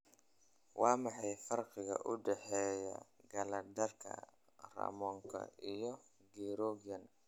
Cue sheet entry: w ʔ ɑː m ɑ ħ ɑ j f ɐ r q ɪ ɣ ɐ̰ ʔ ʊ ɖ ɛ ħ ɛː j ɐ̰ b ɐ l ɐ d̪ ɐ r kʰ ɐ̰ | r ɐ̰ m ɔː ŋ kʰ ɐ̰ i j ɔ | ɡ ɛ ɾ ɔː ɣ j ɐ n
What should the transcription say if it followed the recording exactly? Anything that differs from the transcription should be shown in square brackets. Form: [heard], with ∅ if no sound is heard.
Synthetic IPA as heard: w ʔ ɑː m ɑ ħ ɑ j f ɐ r q ɪ ɣ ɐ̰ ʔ ʊ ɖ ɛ ħ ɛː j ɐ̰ [ɡ] ɐ l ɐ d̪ ɐ r kʰ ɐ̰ | r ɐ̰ m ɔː ŋ kʰ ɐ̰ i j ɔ | ɡ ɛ ɾ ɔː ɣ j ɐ n